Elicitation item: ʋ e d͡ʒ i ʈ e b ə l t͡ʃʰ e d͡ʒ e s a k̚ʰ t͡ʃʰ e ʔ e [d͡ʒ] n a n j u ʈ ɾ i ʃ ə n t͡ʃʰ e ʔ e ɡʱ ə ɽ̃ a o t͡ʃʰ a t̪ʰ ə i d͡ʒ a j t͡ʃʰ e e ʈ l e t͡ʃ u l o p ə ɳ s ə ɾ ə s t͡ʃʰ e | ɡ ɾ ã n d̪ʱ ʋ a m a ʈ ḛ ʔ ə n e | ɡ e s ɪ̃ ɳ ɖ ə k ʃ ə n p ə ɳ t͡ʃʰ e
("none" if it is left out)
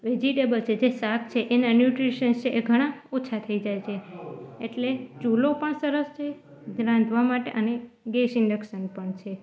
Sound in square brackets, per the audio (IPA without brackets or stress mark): none